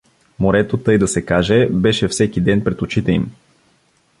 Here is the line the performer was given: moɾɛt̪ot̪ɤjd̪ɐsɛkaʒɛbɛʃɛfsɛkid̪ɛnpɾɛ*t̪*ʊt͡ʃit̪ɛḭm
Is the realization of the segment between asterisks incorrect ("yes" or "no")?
no